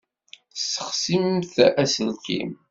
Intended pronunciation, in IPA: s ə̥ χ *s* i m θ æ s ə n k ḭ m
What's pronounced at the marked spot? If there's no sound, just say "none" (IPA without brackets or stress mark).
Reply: s